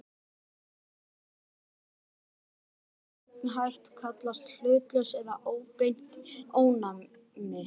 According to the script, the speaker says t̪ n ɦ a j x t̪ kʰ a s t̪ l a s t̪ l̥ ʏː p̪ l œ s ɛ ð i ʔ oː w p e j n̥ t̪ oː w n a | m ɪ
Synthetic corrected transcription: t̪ n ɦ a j h t̪ kʰ a t̪ l a s t̪ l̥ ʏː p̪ l œ s ɛ ð a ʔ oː w p e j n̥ t̪ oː w n a | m ɪ